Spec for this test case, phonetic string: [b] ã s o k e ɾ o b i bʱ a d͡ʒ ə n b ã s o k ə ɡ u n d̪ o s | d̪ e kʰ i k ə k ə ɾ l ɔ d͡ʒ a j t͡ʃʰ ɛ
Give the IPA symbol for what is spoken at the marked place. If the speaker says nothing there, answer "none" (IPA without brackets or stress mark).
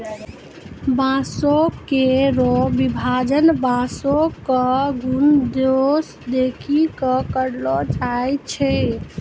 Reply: b